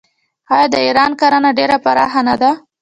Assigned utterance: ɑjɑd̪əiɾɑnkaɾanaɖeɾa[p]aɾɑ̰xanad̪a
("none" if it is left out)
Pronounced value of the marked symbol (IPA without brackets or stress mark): p